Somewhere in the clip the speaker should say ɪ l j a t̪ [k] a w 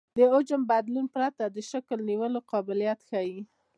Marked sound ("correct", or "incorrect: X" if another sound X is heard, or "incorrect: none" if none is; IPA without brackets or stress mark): incorrect: x